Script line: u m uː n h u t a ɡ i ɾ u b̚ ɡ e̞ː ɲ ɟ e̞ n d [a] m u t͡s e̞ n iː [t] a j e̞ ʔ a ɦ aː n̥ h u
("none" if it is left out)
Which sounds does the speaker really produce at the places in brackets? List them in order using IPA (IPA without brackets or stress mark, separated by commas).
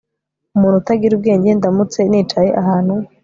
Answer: a, t͡ʃ